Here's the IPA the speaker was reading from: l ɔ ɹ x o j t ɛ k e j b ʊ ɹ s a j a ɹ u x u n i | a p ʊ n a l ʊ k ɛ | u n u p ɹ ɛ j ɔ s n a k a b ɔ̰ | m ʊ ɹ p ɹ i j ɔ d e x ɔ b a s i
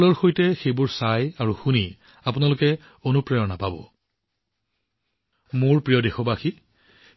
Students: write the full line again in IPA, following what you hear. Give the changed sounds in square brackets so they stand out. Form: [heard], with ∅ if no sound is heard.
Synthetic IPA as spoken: l ɔ ɹ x o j t ɛ [x] e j b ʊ ɹ s a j a ɹ u x u n i | a p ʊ n a l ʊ k ɛ | [o] n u p ɹ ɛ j ɔ [∅] n a [p] a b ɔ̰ | m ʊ ɹ p ɹ i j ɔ d e x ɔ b a [x] i